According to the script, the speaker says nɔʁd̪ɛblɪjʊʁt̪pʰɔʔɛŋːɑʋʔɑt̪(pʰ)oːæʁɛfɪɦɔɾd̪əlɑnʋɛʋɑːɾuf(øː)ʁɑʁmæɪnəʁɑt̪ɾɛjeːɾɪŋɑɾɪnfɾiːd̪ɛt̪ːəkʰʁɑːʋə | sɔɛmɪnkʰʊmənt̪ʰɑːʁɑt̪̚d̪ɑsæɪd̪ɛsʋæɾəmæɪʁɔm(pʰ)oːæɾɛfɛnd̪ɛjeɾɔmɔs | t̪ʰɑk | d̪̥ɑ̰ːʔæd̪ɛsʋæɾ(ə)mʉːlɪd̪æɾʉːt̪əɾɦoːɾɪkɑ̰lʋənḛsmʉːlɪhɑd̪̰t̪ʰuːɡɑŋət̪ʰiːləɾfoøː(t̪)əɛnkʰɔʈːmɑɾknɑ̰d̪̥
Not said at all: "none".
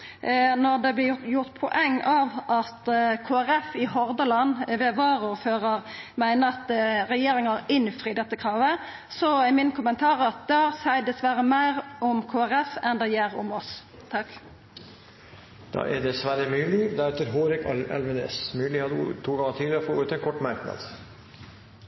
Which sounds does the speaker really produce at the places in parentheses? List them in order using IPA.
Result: kʰ, øː, kʰ, ə, t̪

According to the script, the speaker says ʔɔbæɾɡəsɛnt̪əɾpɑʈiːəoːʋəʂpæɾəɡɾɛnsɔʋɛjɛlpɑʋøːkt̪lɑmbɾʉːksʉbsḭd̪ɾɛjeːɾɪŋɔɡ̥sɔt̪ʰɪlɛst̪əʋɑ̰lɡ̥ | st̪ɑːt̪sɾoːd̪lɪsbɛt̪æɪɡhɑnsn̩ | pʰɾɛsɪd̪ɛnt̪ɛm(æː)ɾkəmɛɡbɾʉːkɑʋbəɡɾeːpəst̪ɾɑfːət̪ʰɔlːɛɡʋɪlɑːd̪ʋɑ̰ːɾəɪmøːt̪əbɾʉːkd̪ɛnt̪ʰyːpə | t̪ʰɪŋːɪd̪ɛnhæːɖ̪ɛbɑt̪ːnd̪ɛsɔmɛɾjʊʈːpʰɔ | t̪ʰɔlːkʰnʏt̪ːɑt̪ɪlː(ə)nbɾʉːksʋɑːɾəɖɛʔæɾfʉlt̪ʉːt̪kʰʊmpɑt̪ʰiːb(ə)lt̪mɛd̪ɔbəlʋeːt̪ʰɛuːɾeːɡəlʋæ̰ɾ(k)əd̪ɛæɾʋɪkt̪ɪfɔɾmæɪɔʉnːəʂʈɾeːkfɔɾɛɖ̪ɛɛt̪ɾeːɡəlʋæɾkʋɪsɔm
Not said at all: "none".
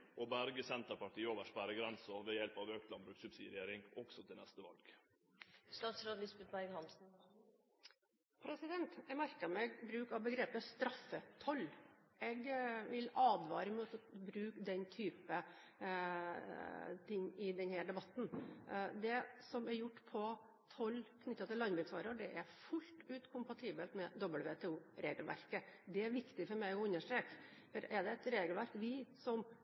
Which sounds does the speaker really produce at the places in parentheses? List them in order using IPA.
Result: æ, ɑ, ə, k

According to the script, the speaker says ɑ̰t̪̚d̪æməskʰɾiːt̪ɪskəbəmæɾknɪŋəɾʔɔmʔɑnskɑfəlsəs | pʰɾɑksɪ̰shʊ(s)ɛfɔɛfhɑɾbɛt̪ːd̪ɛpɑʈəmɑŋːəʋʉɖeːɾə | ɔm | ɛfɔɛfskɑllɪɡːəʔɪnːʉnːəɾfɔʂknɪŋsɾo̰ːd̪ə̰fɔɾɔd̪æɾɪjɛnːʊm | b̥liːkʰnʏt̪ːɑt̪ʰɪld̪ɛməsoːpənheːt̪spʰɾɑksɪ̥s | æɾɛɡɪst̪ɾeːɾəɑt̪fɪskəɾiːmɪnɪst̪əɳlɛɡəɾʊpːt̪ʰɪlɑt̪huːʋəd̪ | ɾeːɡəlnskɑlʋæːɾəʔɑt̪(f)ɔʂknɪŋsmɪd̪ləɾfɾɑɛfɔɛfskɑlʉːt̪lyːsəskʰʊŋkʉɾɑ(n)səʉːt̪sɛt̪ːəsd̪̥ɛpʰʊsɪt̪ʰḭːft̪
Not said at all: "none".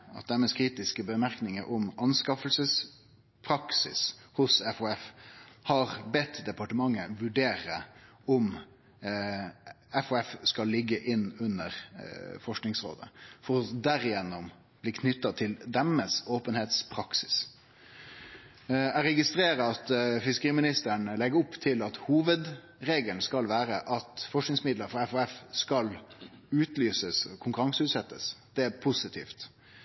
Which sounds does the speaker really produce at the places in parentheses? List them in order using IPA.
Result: s, f, ŋ

